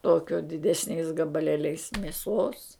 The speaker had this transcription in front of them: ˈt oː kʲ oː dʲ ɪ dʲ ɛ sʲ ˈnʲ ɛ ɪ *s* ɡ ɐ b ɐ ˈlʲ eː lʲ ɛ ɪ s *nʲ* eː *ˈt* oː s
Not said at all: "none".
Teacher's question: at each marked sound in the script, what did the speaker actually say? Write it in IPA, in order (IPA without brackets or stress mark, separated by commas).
s, mʲ, s